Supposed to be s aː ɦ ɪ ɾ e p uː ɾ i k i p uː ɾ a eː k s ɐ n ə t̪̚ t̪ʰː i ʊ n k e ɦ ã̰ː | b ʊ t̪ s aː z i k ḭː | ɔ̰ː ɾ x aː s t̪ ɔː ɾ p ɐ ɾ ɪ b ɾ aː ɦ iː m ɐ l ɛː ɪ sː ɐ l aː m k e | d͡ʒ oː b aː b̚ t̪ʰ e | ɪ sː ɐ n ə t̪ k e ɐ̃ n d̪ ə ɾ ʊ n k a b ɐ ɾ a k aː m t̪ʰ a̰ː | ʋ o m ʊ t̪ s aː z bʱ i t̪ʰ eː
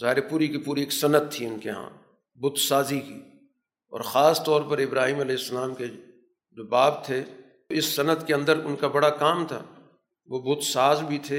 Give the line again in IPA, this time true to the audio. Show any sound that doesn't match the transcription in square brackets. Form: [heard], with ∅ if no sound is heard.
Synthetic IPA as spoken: [z] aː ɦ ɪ ɾ e p uː ɾ i k i p uː ɾ [i] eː k s ɐ n ə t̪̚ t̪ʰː i ʊ n k e ɦ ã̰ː | b ʊ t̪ s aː z i k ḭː | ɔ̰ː ɾ x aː s t̪ ɔː ɾ p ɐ ɾ ɪ b ɾ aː ɦ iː m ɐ l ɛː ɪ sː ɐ l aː m k e | d͡ʒ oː b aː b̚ t̪ʰ e | ɪ sː ɐ n ə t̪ k e ɐ̃ n d̪ ə ɾ ʊ n k a b ɐ [ɽ] a k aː m t̪ʰ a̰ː | ʋ o [b] ʊ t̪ s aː z bʱ i t̪ʰ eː